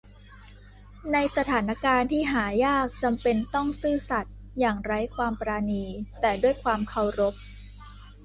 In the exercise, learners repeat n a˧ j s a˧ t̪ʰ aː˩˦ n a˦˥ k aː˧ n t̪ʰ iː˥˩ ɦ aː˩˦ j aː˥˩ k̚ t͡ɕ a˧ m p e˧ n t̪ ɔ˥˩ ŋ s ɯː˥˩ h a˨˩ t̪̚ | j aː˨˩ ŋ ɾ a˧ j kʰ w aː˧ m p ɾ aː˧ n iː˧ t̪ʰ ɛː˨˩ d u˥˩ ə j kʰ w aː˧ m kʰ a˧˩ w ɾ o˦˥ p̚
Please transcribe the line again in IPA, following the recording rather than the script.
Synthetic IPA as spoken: n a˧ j s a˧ t̪ʰ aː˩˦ n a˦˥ k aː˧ n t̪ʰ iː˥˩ ɦ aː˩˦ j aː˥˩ k̚ t͡ɕ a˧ m p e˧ n t̪ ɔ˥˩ ŋ s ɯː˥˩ s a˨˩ t̪̚ | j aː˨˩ ŋ ɾ a˦˥ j kʰ w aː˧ m p ɾ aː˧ n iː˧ t̪ ɛː˨˩ d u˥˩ ə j kʰ w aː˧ m kʰ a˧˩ w ɾ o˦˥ p̚